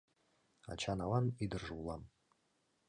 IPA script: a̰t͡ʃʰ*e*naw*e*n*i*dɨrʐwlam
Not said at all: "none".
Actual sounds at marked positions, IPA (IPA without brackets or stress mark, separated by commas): a, a, i